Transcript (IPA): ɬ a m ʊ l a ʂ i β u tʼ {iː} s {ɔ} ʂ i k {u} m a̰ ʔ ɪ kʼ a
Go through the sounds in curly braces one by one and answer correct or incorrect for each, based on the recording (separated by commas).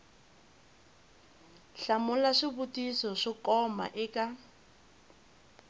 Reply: incorrect, correct, incorrect